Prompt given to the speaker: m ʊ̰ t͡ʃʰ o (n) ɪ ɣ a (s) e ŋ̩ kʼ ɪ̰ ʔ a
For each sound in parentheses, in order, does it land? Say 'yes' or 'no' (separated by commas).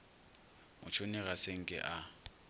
yes, yes